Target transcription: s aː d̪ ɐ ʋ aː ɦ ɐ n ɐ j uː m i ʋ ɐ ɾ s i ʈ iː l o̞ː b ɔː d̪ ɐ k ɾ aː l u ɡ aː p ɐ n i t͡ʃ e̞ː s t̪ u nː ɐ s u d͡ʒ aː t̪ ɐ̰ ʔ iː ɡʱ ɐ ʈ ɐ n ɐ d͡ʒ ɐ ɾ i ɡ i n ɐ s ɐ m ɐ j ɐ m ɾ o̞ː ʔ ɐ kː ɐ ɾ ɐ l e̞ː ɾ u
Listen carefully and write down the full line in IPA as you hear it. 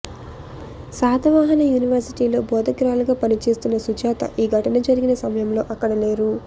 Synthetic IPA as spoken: s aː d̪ ɐ ʋ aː ɦ ɐ n ɐ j uː n i ʋ ɐ ɾ s i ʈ iː l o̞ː b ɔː d̪ ɐ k ɾ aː l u ɡ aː p ɐ n i t͡ʃ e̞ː s t̪ u nː ɐ s u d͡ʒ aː t̪ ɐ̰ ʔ iː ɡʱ ɐ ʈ ɐ n ɐ d͡ʒ ɐ ɾ i ɡ i n ɐ s ɐ m ɐ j ɐ m l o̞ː ʔ ɐ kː ɐ ɽ ɐ l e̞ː ɾ u